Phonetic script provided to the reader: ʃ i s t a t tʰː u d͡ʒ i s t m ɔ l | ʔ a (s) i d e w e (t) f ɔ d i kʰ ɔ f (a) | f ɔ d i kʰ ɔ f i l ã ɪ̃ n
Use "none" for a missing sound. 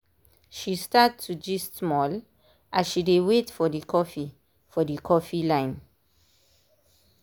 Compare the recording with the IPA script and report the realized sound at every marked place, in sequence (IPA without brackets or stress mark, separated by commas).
ʃ, t, i